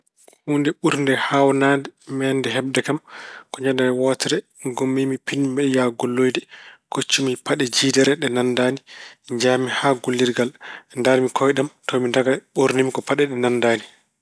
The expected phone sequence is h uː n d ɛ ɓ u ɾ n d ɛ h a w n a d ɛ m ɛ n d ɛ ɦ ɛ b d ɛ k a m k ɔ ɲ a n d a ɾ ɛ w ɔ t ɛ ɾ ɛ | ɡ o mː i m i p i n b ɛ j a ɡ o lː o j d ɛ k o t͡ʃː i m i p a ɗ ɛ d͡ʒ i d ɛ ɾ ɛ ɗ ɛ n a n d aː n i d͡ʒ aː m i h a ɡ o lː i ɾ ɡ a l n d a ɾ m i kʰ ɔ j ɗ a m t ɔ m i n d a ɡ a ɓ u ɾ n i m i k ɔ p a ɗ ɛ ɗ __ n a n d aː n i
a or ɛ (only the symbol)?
ɛ